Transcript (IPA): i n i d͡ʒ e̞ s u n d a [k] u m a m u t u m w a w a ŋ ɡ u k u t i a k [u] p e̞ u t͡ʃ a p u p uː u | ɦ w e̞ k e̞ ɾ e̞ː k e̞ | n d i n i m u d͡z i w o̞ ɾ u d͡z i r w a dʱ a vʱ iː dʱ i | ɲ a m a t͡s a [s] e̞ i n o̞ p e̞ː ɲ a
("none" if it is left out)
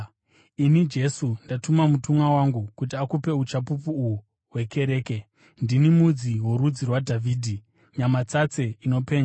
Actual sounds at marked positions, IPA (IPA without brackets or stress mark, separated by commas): t, u, t͡s